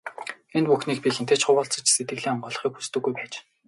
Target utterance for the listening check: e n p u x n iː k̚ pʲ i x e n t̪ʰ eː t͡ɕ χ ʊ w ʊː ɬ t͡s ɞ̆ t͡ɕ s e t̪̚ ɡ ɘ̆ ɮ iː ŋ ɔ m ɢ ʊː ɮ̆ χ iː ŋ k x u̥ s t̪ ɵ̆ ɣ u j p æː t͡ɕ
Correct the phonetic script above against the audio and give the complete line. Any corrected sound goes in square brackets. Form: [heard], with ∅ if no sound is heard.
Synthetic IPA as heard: e n p u x n iː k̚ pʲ i x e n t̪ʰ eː t͡ɕ χ ʊ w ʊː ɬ t͡s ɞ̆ t͡ɕ s e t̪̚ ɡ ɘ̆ ɮ iː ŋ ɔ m ɢ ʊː ɮ̆ χ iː [∅] k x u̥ s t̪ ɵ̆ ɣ u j p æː t͡ɕ